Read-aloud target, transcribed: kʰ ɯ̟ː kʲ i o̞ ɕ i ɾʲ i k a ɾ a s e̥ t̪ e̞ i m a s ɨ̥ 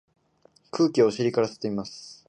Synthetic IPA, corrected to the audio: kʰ ɯ̟ː kʲ i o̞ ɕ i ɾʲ i k a ɾ a s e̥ t̪ e̞ i m a s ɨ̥